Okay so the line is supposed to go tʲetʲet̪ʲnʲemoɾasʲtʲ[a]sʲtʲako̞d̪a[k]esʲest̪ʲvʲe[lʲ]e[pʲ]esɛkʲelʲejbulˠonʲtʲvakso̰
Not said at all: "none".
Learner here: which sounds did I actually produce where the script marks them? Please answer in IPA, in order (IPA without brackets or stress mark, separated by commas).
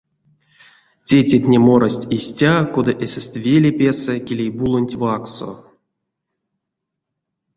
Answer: i, ʔ, lʲ, pʲ